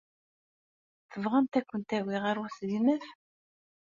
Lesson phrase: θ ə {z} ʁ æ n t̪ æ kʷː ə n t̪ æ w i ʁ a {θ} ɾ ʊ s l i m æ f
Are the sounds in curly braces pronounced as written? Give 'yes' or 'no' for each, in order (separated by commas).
no, no